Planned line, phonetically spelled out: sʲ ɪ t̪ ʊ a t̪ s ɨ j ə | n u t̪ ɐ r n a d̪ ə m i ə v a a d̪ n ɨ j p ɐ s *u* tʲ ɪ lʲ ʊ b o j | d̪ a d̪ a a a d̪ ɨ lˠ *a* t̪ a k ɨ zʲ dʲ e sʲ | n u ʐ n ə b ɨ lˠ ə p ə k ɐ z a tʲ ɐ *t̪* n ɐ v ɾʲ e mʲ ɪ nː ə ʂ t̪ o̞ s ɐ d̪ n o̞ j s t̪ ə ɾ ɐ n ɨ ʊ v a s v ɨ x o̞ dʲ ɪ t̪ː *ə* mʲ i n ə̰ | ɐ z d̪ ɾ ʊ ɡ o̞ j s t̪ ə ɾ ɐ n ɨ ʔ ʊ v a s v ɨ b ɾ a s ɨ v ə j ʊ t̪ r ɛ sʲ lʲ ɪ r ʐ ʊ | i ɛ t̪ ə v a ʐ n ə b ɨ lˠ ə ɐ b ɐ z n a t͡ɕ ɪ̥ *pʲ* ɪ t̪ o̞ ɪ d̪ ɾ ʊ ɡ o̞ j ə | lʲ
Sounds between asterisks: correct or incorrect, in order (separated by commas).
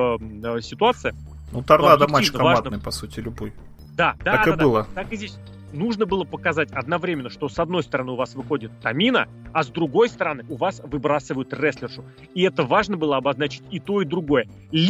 correct, incorrect, incorrect, incorrect, incorrect